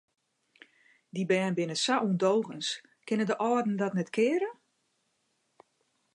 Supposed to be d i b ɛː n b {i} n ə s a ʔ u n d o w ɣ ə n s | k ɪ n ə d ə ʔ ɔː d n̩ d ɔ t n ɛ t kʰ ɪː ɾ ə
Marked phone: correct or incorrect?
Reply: incorrect